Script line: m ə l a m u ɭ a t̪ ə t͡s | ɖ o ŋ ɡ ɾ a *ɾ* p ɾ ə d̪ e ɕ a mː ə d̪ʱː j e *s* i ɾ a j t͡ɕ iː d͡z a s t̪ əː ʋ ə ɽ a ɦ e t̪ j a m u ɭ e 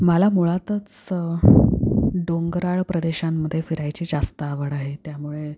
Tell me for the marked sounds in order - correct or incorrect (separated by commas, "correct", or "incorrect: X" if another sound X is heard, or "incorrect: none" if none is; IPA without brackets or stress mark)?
incorrect: ɭ, incorrect: f